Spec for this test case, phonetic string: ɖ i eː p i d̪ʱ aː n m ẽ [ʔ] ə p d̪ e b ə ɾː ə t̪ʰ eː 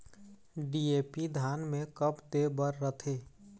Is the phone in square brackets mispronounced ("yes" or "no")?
yes